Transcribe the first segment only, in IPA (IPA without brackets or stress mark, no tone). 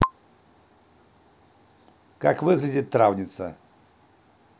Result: k